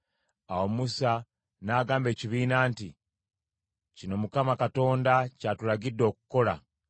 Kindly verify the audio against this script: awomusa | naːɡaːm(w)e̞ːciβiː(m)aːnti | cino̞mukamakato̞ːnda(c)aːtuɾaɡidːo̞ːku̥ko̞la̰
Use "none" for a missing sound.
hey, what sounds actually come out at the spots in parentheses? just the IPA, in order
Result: b, n, c

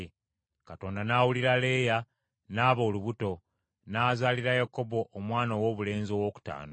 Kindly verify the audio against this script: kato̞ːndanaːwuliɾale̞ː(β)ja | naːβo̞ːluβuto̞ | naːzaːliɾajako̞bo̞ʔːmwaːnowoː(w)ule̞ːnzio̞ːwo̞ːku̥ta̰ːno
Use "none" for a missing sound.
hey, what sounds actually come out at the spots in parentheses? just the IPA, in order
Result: none, β

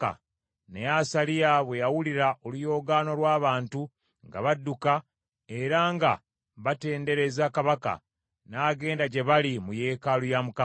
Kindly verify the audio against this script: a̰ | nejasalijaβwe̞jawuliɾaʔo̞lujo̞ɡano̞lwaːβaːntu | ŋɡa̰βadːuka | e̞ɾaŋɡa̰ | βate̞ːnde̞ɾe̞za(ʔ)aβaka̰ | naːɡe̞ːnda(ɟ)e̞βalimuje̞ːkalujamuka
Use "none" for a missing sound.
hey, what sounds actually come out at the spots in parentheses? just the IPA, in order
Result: k, ɟ

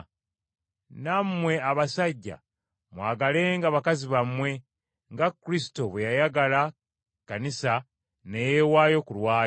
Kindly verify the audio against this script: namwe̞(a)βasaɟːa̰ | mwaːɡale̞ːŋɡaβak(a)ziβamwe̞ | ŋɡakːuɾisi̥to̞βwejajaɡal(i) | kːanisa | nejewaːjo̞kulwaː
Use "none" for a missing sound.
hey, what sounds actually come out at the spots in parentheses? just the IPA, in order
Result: a, a, a

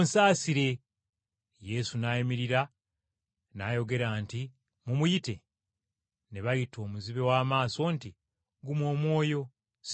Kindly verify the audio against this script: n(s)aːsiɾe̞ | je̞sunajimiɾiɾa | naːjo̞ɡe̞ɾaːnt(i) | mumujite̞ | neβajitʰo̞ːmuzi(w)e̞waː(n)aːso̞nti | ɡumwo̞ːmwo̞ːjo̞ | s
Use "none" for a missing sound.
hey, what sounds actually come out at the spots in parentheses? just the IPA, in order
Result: s, i, β, m

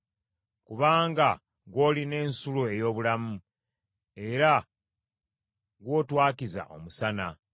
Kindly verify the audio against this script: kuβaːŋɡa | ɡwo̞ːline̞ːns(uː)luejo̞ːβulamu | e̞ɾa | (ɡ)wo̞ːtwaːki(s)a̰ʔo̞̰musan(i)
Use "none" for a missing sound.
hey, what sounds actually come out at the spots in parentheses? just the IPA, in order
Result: u, ɡ, z, a

